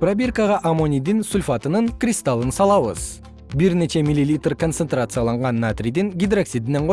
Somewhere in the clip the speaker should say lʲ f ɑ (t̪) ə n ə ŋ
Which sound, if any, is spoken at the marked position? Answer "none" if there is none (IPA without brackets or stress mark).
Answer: t̪